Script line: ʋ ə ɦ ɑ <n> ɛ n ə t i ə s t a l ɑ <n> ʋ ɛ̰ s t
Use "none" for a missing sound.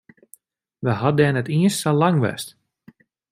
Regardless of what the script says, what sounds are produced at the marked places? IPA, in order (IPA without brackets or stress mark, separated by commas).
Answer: d, ŋ